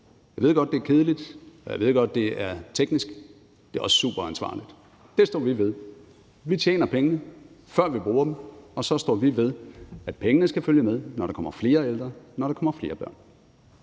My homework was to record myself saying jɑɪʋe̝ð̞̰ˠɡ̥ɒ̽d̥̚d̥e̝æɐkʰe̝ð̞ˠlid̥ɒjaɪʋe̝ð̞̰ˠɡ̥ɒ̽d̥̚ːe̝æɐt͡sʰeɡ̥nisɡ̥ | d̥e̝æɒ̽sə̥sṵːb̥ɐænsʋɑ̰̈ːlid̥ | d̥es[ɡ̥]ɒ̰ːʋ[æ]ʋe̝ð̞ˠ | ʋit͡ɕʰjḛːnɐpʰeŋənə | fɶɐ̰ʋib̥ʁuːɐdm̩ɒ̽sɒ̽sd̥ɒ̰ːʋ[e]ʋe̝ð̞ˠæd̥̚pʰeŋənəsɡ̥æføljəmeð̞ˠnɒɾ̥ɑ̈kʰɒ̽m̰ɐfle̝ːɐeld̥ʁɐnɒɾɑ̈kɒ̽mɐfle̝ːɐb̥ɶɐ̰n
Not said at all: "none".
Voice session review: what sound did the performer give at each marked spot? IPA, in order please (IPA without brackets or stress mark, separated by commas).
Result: d̥, i, i